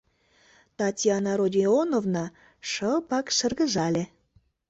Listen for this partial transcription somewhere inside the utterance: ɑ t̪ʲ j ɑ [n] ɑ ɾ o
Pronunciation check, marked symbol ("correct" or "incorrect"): correct